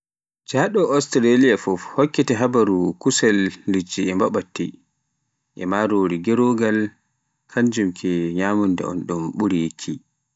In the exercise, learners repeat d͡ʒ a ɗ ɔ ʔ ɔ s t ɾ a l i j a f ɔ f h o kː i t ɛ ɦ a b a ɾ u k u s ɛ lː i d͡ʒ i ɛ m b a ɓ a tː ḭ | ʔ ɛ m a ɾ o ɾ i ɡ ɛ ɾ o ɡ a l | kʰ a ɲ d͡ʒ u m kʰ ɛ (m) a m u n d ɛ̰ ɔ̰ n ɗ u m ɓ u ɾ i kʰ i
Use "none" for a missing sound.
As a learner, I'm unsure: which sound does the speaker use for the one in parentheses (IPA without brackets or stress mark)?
ɲ